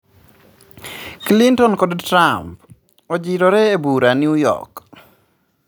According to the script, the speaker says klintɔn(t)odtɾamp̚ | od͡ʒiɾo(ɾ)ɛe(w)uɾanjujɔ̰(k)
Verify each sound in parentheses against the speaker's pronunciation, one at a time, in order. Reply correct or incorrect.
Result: incorrect, correct, incorrect, correct

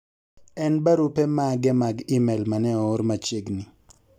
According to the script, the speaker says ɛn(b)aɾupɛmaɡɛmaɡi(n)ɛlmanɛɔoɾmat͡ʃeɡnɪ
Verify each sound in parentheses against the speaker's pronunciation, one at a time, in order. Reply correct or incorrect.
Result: correct, incorrect

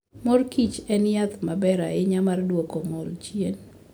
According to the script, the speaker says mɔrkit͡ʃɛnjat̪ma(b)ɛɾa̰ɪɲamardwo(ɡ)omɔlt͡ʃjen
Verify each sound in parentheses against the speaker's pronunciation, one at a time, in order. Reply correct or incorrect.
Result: correct, incorrect

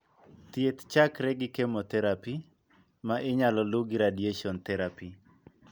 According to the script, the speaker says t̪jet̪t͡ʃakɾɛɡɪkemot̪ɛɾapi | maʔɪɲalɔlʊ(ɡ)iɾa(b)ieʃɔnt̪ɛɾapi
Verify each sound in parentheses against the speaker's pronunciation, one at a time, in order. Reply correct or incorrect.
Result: correct, incorrect

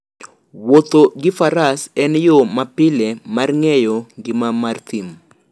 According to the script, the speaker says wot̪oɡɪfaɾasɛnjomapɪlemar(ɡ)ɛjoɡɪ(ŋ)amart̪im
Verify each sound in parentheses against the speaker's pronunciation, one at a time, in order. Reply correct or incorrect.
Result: incorrect, incorrect

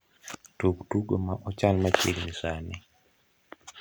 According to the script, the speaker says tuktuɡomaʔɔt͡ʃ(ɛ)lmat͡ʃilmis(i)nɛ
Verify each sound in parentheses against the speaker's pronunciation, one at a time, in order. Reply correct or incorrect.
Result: incorrect, incorrect

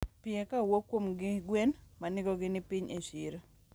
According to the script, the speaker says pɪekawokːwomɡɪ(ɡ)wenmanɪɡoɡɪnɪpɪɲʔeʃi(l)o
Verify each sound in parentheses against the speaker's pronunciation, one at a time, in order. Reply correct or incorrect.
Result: correct, incorrect

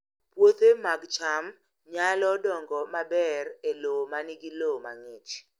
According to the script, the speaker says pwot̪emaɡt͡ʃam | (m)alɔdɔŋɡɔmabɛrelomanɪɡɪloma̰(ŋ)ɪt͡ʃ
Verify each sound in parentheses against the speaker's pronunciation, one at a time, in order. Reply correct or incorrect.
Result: incorrect, correct

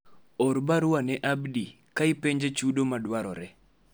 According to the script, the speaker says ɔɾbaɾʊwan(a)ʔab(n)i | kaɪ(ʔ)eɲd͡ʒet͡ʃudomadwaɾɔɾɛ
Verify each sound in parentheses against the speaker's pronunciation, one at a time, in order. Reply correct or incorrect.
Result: incorrect, incorrect, incorrect

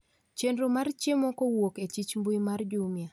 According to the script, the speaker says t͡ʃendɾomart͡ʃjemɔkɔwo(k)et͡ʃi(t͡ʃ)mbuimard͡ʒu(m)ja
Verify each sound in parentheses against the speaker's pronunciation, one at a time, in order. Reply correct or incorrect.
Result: correct, correct, correct

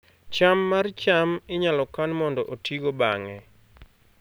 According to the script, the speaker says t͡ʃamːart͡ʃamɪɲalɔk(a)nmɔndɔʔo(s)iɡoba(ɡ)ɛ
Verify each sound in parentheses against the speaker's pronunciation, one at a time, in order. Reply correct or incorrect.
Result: correct, incorrect, incorrect

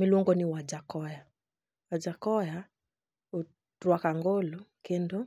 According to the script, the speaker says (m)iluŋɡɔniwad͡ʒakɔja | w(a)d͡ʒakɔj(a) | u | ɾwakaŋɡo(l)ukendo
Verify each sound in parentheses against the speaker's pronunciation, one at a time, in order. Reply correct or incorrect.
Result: correct, correct, correct, correct

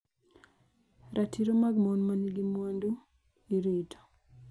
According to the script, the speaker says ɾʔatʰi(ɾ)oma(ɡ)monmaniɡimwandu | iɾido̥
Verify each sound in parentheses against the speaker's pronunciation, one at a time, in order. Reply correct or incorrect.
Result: correct, correct

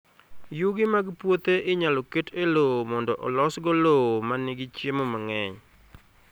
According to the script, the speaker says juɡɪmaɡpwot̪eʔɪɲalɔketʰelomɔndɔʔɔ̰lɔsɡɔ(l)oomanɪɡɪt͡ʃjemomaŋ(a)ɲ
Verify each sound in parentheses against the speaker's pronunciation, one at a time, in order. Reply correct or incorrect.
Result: correct, incorrect

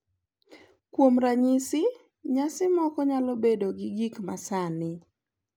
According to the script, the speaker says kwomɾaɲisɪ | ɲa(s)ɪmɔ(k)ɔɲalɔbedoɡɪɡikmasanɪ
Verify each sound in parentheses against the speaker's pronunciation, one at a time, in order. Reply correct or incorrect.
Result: correct, correct

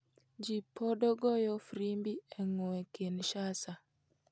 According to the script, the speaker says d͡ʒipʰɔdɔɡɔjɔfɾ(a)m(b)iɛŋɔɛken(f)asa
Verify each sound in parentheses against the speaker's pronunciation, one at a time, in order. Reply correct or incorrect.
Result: incorrect, correct, incorrect

